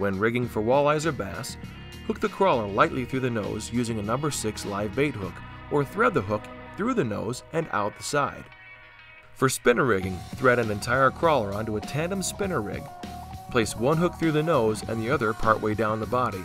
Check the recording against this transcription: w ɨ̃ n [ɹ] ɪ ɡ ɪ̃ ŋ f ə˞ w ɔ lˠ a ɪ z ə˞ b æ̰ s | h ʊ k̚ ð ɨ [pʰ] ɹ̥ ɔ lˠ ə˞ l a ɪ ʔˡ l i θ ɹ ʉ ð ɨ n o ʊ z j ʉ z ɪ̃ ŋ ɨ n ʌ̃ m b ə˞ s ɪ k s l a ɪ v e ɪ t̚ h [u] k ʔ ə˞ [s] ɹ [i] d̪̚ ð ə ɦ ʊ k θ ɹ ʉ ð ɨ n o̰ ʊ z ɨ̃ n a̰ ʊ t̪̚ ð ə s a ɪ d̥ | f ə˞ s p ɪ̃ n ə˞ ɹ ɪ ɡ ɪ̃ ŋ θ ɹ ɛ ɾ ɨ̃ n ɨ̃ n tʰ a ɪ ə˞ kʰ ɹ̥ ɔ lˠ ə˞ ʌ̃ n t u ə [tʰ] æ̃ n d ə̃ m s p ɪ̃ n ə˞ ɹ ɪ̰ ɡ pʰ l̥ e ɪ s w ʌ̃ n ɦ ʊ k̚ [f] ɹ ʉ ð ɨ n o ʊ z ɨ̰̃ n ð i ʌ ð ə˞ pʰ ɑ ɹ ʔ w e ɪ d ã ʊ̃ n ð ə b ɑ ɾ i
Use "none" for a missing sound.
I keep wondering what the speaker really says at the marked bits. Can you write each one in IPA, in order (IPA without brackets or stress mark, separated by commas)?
ɹ, kʰ, ʊ, θ, ɛ, tʰ, θ